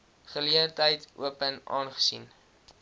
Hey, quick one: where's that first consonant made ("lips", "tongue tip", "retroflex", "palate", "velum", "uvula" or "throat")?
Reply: uvula